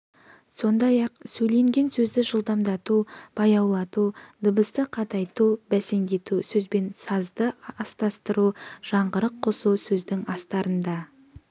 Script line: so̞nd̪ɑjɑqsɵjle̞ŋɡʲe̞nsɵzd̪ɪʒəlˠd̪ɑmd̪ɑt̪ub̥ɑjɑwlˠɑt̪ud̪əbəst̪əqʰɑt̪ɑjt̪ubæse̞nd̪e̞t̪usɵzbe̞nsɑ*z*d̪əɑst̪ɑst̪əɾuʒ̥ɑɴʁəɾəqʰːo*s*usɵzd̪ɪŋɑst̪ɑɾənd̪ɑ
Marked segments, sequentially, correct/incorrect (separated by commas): correct, correct